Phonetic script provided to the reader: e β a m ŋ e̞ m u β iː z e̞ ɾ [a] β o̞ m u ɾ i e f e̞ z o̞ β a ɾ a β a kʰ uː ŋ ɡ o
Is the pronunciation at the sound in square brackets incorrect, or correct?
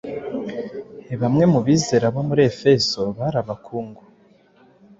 correct